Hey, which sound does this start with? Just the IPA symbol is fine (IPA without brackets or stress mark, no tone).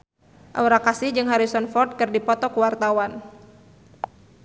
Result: ʔ